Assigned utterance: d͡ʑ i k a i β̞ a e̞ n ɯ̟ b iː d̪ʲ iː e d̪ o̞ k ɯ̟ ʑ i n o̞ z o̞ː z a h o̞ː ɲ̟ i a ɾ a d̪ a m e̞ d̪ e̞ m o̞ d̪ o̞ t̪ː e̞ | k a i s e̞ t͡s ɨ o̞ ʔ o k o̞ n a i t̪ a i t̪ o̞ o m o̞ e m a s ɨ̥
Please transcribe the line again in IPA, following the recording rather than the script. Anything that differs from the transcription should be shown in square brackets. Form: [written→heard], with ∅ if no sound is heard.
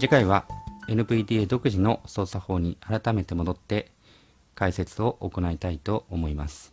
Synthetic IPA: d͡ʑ i k a i β̞ a e̞ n ɯ̟ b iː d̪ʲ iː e d̪ o̞ k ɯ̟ ʑ i n o̞ [z→s] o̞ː [z→s] a h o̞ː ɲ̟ i a ɾ a [d̪→t̪] a m e̞ [d̪→t̪] e̞ m o̞ d̪ o̞ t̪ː e̞ | k a i s e̞ t͡s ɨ o̞ ʔ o k o̞ n a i t̪ a i t̪ o̞ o m o̞ [e→i] m a s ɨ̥